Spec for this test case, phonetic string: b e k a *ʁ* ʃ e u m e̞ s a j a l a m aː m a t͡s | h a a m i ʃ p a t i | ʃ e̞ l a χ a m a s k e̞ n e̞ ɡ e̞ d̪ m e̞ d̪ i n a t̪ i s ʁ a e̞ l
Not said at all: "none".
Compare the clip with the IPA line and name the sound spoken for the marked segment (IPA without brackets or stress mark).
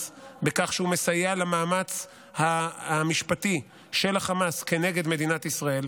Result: χ